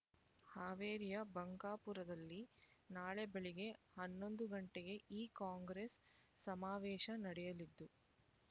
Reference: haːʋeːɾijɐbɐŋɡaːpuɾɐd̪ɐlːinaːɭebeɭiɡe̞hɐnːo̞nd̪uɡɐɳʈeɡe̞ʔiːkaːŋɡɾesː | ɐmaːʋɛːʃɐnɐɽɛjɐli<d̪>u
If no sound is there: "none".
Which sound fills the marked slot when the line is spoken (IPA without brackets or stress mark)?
d̪ː